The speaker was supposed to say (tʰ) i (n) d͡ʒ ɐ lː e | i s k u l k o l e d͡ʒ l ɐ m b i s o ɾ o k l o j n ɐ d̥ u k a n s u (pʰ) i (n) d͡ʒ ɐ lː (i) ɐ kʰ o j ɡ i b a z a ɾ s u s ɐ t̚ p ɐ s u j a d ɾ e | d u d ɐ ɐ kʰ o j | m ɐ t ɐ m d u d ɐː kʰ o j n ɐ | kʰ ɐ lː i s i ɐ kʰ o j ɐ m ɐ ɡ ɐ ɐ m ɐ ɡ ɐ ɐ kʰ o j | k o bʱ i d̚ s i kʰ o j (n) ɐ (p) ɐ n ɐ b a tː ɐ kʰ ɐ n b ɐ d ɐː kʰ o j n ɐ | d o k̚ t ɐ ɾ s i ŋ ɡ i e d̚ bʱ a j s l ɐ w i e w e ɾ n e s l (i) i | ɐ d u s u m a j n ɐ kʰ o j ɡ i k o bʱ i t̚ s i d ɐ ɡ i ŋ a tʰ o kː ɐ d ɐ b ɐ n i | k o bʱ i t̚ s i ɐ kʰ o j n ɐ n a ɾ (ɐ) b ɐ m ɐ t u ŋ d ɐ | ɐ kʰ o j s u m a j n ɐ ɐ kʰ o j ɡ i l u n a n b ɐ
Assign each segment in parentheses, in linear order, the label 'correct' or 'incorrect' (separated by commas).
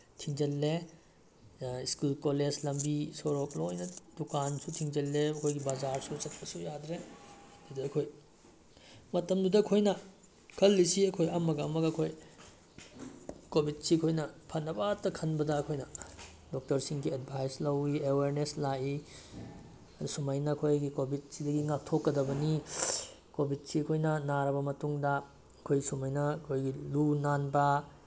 correct, incorrect, incorrect, incorrect, incorrect, correct, incorrect, incorrect, correct